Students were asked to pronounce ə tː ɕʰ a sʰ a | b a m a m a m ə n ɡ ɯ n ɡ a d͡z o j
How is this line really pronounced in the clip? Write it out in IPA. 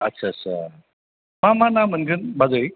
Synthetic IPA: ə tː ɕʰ a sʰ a | m a m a n a m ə n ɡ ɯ n b a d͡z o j